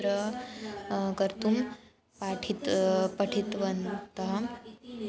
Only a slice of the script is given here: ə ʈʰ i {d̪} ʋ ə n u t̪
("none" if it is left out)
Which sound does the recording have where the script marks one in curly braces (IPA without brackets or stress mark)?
t̪